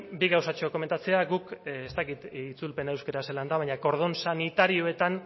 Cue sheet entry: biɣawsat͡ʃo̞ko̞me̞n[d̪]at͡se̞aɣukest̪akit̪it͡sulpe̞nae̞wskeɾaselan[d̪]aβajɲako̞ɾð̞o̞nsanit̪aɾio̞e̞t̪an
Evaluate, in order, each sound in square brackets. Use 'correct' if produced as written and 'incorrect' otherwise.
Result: incorrect, correct

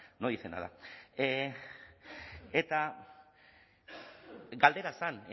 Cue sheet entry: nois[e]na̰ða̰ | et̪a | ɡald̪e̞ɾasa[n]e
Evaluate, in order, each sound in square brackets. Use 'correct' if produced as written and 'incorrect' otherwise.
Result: correct, correct

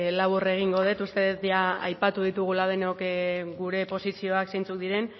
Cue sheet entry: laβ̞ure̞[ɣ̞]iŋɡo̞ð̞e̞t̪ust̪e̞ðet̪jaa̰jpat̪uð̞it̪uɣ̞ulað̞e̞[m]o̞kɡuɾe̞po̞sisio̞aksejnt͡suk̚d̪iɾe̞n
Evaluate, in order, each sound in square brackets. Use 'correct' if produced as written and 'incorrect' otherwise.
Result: correct, incorrect

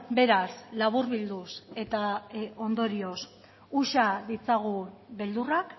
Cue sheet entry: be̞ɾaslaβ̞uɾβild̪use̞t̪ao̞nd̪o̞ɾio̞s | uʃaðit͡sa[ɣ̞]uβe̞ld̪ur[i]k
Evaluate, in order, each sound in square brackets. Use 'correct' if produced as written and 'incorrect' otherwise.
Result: correct, incorrect

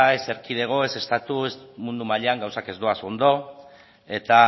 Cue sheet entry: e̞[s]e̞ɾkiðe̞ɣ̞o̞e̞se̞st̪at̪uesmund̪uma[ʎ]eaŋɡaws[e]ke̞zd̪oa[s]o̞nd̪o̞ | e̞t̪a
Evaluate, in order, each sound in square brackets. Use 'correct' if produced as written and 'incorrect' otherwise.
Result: correct, correct, incorrect, correct

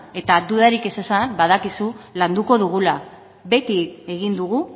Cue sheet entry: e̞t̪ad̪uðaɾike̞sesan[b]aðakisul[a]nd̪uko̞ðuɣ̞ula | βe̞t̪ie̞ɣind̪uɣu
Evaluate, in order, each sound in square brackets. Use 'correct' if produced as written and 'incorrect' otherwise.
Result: correct, correct

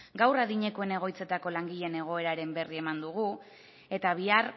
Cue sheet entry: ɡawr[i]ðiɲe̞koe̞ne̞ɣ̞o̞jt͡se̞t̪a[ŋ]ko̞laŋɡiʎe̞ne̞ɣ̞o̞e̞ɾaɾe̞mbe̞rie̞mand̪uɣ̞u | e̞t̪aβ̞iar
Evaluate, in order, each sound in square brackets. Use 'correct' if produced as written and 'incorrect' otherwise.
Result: incorrect, incorrect

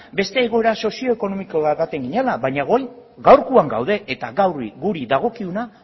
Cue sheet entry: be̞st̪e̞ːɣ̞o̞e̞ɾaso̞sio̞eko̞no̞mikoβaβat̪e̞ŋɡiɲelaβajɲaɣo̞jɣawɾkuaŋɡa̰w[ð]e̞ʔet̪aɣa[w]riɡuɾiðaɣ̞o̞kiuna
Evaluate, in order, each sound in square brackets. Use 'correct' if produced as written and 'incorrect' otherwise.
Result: correct, correct

